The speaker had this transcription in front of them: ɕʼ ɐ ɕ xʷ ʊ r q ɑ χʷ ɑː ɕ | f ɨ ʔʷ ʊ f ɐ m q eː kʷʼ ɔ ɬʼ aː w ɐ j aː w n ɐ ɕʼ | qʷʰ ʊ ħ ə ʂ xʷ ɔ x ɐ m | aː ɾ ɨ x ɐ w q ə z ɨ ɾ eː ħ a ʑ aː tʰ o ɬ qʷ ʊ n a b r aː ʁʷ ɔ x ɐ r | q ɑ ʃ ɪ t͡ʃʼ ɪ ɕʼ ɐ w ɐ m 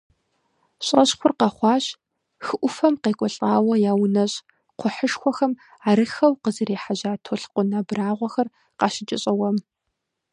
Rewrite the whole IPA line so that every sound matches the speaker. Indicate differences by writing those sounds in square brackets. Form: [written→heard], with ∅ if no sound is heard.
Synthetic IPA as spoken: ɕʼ ɐ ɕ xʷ ʊ r q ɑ χʷ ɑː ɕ | [f→x] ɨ ʔʷ ʊ f ɐ m q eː kʷʼ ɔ ɬʼ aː w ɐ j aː w n ɐ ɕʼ | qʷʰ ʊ ħ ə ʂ xʷ ɔ x ɐ m | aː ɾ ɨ x ɐ w q ə z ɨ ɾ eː ħ a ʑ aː tʰ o ɬ qʷ ʊ n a b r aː ʁʷ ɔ x ɐ r | q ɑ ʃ ɪ t͡ʃʼ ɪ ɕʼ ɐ w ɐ m